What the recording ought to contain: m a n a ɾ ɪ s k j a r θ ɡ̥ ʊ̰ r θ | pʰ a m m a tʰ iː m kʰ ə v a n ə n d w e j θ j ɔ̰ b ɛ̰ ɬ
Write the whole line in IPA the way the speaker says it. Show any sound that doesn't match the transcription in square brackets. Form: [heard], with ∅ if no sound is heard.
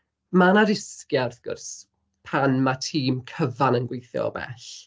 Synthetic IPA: m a n a ɾ ɪ s k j a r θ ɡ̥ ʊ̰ r [s] | pʰ a [n] m a tʰ iː m kʰ ə v a n ə n [ɡ] w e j θ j ɔ̰ b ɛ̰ ɬ

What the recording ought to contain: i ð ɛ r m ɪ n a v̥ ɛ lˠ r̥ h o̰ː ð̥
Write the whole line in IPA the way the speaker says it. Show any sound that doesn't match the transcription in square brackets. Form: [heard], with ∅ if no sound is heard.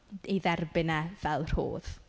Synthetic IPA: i ð ɛ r [b] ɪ n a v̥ ɛ lˠ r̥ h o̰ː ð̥

